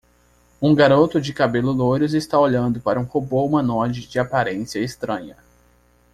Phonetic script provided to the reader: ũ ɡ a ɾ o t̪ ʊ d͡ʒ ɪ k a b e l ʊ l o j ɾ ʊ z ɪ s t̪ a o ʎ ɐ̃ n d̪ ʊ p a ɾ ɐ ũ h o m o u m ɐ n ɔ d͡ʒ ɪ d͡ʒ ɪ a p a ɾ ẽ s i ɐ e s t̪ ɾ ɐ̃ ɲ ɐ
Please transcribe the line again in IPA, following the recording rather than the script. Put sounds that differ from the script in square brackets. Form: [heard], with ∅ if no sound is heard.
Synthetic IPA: ũ ɡ a ɾ o t̪ ʊ d͡ʒ ɪ k a b e l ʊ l o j ɾ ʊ z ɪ s t̪ a o ʎ ɐ̃ n d̪ ʊ p a ɾ ɐ ũ h o [b] o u m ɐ n ɔ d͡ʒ ɪ d͡ʒ ɪ a p a ɾ ẽ s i ɐ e s t̪ ɾ ɐ̃ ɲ ɐ